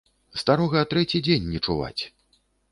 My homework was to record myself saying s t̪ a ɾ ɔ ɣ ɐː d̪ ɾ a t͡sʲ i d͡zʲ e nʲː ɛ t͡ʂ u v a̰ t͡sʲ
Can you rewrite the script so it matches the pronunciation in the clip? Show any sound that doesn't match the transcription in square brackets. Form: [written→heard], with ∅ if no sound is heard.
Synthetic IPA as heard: s t̪ a ɾ ɔ ɣ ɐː [d̪→t̪] ɾ [a→ɛ] t͡sʲ i d͡zʲ e nʲː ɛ t͡ʂ u v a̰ t͡sʲ